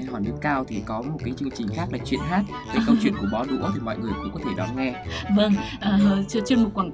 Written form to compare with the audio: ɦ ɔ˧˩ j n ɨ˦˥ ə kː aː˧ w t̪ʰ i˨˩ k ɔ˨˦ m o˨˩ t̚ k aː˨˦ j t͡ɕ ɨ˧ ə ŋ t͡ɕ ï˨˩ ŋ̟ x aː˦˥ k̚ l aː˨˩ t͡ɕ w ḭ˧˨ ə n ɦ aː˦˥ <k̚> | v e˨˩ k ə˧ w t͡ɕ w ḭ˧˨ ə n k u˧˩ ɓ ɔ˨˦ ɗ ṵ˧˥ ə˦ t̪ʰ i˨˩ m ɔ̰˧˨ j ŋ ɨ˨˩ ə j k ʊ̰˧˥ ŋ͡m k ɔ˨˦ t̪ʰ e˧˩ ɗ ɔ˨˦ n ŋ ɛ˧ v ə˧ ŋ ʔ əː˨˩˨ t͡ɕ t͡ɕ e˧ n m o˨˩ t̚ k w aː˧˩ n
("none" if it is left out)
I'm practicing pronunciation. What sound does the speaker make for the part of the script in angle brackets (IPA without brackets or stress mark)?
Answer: t̚